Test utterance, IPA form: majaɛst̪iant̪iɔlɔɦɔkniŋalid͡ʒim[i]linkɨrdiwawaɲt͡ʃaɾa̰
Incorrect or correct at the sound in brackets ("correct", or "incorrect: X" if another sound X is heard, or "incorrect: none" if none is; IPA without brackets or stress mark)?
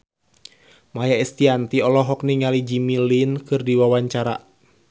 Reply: correct